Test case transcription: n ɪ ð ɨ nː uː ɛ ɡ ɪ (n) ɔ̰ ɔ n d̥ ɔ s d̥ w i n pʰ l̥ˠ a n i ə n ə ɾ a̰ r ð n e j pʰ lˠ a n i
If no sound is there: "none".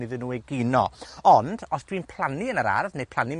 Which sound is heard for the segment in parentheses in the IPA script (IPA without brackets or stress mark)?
n